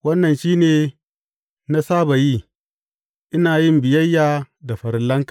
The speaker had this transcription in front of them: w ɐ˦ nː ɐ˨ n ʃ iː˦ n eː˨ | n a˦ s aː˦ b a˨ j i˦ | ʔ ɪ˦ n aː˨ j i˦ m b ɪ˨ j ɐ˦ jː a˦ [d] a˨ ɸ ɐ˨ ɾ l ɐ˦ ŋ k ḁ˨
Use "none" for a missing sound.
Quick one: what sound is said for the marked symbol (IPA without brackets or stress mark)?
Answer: d